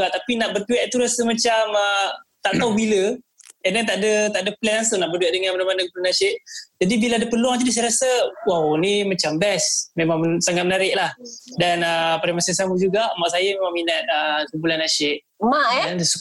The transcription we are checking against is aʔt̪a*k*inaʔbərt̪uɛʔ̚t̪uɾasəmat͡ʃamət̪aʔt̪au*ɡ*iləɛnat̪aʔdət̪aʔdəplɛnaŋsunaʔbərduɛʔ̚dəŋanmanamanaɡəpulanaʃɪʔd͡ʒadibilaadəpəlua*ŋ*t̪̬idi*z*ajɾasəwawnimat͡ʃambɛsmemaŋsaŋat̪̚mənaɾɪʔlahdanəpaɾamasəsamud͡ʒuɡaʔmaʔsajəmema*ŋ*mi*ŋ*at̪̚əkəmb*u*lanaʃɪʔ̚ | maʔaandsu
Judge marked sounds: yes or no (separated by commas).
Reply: no, no, yes, no, yes, no, yes